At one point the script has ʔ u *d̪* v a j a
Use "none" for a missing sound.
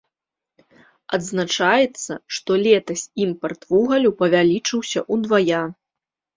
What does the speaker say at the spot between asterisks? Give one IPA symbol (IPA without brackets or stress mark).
d̪